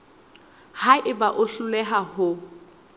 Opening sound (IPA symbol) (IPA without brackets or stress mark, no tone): h